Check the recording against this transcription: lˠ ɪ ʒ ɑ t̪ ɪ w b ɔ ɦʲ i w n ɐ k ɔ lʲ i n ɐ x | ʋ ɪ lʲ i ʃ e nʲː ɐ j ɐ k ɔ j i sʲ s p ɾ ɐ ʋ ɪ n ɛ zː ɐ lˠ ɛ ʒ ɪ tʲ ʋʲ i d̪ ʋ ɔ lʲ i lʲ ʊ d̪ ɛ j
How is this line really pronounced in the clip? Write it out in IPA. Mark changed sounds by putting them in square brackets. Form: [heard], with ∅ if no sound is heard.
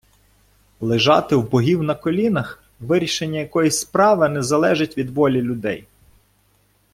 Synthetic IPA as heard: lˠ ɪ ʒ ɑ t̪ ɪ w b ɔ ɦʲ i w n ɐ k ɔ lʲ i n ɐ x | ʋ ɪ [ɾʲ] i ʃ e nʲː ɐ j ɐ k ɔ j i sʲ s p ɾ [ɑ] ʋ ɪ n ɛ [z] ɐ lˠ ɛ ʒ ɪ tʲ ʋʲ i d̪ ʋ ɔ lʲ i lʲ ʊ d̪ ɛ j